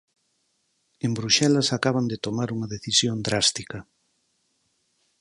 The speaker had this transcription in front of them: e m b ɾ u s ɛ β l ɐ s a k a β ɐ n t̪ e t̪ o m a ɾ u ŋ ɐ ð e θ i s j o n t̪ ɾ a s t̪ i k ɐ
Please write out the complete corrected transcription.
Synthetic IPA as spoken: e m b ɾ u ʃ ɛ l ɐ s a k a β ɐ n d̪ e t̪ o m a ɾ u ŋ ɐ ð e θ i s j o n d̪ ɾ a s t̪ i k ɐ